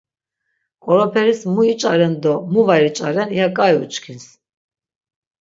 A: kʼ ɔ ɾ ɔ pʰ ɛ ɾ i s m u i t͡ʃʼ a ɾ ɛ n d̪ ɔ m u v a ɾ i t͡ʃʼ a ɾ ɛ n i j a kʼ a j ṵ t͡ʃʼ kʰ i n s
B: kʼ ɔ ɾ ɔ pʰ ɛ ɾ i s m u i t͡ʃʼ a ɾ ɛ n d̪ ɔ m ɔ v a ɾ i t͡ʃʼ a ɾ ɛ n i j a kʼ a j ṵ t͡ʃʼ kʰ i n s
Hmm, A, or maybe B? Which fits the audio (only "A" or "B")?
A